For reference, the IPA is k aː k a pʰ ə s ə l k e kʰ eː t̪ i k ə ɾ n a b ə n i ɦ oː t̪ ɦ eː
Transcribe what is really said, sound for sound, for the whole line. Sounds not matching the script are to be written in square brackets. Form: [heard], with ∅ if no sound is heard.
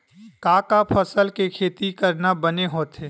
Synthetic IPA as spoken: k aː k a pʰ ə s ə l k e kʰ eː t̪ i k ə ɾ n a b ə n [e] ɦ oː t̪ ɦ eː